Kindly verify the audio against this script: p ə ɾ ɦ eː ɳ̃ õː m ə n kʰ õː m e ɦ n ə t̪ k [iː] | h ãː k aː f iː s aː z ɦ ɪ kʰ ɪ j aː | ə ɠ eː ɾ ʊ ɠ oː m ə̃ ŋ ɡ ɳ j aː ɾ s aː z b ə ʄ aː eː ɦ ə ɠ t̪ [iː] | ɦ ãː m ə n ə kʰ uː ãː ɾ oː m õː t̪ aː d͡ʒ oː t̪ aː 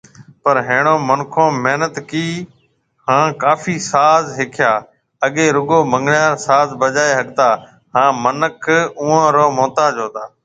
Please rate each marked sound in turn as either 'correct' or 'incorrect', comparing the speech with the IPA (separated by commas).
correct, incorrect